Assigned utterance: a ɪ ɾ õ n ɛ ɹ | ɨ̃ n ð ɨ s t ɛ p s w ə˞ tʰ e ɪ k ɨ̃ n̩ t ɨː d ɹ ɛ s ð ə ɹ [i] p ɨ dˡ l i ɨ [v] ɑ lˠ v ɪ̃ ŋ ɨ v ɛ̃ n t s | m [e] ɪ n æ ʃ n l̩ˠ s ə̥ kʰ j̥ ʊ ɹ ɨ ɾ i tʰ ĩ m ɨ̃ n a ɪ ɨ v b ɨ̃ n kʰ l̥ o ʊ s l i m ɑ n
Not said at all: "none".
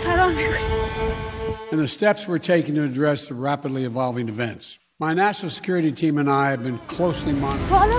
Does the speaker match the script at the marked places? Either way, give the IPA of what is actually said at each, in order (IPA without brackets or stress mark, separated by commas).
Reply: æ, v, a